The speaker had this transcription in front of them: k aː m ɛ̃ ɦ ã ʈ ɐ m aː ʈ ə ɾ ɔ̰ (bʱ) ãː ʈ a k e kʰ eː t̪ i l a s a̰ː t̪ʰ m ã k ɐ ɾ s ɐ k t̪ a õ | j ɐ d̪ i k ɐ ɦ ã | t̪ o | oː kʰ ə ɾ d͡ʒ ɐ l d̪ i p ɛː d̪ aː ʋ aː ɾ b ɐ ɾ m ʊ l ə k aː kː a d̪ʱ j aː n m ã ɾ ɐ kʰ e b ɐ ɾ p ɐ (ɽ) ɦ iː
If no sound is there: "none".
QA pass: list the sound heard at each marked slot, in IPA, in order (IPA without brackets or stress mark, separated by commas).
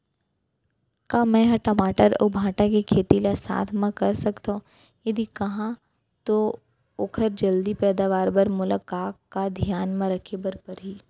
bʱ, ɾ